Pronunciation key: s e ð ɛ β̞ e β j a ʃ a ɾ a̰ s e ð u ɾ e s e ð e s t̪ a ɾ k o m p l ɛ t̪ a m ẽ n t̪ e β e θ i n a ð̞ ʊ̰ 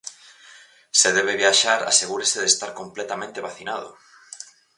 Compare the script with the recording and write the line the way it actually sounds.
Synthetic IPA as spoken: s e ð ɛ β̞ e β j a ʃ a ɾ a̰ s e ɣ u ɾ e s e ð e s t̪ a ɾ k o m p l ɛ t̪ a m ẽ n t̪ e β a θ i n a ð̞ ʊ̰